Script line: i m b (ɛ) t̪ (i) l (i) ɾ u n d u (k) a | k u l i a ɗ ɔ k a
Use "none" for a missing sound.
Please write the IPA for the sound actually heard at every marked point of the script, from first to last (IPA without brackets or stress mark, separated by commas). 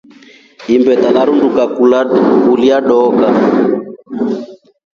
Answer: ɛ, a, a, k